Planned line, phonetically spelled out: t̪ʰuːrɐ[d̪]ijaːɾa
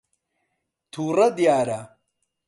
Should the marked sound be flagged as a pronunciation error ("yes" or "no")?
no